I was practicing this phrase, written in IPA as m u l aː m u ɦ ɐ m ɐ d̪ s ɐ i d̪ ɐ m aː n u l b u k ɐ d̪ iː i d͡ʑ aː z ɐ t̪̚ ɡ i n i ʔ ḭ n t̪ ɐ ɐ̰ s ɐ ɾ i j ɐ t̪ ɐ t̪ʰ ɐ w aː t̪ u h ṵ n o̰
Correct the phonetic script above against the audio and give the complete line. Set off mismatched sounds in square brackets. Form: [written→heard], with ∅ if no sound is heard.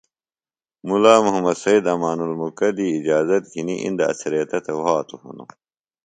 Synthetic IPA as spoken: m u l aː m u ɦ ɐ m ɐ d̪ s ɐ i d̪ ɐ m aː n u l [b→m] u k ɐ d̪ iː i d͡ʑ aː z ɐ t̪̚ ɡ i n i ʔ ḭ n [t̪→d̪] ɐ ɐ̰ s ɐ ɾ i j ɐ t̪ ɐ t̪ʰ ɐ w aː t̪ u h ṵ n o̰